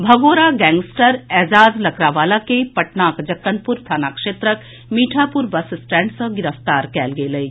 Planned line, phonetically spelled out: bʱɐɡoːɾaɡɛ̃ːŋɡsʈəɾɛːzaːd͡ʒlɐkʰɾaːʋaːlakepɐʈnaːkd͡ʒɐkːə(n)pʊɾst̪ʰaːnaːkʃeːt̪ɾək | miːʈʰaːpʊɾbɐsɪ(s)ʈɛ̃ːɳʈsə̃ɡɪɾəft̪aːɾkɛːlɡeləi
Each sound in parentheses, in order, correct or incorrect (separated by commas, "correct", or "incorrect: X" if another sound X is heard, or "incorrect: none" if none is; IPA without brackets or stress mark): correct, correct